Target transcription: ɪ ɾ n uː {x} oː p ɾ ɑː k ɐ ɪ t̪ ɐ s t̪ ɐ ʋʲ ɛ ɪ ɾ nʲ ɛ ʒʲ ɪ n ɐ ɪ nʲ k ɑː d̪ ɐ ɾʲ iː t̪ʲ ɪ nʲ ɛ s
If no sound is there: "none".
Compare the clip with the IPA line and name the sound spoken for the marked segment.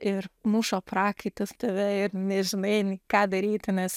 ʃ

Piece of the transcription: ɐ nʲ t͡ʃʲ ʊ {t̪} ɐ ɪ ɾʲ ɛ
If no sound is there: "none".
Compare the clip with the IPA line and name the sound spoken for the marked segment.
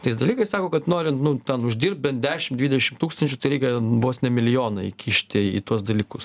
t̪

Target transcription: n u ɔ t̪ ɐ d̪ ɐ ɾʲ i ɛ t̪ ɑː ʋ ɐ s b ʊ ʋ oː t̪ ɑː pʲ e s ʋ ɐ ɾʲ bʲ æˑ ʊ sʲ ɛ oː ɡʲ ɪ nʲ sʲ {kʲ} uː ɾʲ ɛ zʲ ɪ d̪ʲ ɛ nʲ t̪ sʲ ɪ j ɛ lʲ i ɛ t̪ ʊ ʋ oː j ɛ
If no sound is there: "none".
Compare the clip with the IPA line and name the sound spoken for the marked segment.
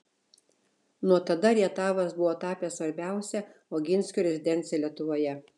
kʲ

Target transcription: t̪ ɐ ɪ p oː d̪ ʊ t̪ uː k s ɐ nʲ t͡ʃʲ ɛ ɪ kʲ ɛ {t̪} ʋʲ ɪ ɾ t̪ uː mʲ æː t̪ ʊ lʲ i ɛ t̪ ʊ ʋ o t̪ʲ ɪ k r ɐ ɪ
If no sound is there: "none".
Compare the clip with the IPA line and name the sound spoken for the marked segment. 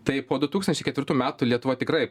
t̪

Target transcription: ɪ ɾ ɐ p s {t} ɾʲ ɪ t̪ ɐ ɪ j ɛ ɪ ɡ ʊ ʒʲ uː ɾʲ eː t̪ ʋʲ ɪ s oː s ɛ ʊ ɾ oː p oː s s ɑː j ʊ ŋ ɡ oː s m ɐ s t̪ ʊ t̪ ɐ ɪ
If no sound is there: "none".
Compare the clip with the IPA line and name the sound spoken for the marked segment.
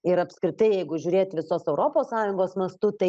k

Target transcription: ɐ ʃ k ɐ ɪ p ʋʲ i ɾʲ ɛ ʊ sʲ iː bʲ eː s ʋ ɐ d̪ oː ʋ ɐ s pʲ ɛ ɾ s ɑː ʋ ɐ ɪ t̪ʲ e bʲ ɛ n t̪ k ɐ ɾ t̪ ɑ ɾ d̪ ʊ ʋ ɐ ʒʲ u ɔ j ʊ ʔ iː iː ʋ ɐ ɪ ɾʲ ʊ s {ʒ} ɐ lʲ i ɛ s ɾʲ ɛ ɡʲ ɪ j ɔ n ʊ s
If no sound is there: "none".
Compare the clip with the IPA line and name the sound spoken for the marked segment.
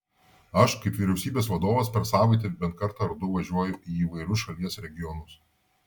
ʃ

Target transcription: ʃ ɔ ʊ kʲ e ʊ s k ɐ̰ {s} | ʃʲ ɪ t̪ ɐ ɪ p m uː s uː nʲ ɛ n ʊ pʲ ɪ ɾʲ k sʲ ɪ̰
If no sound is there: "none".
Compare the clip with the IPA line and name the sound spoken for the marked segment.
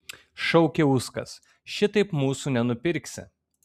s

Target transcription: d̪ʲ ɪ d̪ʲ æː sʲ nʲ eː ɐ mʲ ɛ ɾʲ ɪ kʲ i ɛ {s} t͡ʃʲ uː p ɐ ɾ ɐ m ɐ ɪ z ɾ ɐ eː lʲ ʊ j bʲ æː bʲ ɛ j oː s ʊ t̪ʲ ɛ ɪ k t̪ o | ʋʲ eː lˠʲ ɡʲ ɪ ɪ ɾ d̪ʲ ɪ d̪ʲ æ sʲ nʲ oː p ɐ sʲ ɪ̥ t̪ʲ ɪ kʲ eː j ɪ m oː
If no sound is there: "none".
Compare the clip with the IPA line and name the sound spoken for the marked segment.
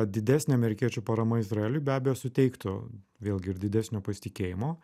none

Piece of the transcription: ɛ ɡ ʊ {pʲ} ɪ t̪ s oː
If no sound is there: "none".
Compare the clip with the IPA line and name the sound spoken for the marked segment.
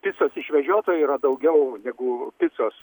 pʲ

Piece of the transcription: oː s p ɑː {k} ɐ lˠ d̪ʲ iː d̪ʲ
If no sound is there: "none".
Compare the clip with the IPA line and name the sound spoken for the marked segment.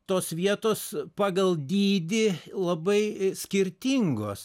ɡ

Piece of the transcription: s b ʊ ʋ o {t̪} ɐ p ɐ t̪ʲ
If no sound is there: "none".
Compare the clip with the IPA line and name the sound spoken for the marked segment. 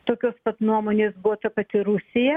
t̪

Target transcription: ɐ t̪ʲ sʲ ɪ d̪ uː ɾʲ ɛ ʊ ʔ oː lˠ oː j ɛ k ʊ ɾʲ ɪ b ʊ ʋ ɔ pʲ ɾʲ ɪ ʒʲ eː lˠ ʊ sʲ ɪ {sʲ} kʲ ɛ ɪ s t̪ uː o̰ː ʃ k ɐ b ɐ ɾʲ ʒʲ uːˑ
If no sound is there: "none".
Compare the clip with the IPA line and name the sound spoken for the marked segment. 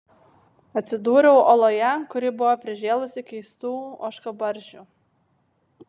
none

